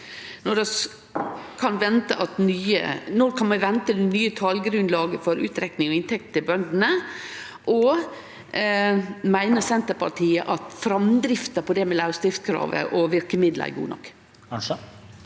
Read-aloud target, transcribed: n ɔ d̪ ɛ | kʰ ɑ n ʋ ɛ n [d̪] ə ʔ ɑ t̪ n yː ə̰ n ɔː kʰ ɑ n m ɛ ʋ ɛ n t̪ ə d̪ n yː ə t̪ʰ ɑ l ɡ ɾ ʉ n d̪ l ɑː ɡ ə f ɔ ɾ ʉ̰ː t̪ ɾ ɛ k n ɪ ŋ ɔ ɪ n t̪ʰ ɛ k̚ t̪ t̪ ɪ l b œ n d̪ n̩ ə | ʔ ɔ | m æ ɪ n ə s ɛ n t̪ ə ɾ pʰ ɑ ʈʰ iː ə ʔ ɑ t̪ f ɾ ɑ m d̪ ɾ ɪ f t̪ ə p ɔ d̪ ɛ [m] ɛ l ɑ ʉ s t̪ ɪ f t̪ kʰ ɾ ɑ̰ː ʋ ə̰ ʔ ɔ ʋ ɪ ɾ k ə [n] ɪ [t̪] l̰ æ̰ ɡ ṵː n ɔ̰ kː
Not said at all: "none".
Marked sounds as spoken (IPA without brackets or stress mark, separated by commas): t̪, m, m, d̪